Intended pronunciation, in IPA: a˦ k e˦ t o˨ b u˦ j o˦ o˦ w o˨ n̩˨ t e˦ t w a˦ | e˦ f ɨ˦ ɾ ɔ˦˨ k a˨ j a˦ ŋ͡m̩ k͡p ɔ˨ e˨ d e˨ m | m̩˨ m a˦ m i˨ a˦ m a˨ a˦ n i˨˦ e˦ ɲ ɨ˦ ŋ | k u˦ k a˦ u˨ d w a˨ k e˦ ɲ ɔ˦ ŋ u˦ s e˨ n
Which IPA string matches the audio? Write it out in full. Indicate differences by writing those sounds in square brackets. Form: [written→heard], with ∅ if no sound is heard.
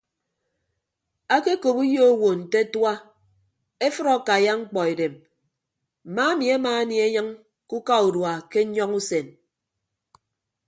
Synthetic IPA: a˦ k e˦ [t→k] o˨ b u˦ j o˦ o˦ w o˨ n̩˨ t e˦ t w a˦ | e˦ f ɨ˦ ɾ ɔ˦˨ k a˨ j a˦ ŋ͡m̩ k͡p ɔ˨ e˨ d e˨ m | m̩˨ m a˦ m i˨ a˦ m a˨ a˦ n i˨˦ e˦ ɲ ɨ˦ ŋ | k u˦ k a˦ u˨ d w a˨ k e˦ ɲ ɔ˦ ŋ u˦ s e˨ n